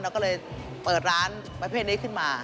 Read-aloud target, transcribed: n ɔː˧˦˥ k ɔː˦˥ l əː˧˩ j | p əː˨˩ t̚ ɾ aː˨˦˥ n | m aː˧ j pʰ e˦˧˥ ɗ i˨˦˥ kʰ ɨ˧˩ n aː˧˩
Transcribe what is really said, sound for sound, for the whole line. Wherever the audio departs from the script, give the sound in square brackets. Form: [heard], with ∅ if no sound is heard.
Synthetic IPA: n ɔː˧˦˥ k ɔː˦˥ l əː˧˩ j | p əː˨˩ t̚ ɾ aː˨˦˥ n | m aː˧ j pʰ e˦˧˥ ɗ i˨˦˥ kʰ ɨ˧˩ [m] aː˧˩